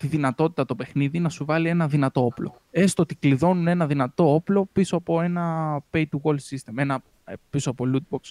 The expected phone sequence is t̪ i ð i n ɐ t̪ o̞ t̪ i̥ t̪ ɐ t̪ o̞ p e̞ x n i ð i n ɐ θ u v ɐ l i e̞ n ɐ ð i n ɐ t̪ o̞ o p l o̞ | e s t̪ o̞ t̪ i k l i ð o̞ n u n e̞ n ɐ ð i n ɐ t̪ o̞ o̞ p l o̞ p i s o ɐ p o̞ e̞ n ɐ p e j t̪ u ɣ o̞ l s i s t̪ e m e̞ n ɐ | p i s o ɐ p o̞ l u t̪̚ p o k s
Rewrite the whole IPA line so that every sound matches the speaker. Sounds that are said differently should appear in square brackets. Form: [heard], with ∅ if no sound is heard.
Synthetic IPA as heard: t̪ i ð i n ɐ t̪ o̞ t̪ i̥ t̪ ɐ t̪ o̞ p e̞ x n i ð i n ɐ [s] u v ɐ l i e̞ n ɐ ð i n ɐ t̪ o̞ o p l o̞ | e s t̪ o̞ t̪ i k l i ð o̞ n u n e̞ n ɐ ð i n ɐ t̪ o̞ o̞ p l o̞ p i s o ɐ p o̞ e̞ n ɐ p e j t̪ u ɣ o̞ l s i s t̪ e m e̞ n ɐ | p i s o ɐ p o̞ l u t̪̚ [b] o k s